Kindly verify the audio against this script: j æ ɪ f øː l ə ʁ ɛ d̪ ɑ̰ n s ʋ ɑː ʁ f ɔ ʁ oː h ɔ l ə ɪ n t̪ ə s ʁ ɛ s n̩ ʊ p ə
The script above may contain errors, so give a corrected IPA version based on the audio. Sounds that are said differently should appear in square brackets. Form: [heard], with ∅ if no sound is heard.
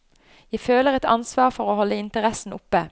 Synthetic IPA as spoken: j æ ɪ f øː l ə ʁ ɛ [t̪] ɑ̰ n s ʋ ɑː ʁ f ɔ ʁ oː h ɔ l ə ɪ n t̪ ə [∅] ʁ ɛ s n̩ ʊ p ə